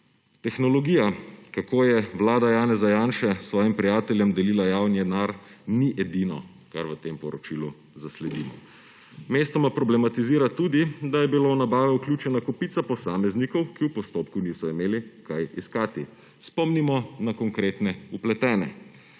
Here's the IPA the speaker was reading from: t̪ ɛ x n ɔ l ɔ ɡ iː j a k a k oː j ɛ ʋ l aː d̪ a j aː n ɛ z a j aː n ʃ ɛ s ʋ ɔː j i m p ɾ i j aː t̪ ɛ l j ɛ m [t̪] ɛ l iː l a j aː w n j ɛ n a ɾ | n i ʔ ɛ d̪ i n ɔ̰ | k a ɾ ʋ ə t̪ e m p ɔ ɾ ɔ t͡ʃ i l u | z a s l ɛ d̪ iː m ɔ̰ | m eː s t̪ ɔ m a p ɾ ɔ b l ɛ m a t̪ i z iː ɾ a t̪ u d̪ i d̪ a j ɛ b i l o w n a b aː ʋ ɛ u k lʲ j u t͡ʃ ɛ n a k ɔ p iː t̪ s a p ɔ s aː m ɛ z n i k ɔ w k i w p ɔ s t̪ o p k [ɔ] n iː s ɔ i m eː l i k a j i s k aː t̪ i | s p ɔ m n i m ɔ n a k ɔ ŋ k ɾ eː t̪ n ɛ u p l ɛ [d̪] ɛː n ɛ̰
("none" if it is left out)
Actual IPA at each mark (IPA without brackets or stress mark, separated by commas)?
d̪, u, t̪